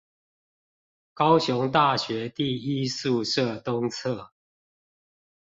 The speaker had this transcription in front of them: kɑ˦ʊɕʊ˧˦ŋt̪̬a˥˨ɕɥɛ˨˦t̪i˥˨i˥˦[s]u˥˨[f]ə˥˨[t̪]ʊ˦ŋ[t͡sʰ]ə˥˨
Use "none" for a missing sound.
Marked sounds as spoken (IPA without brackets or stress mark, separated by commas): s, ʂ, t̪, t͡sʰ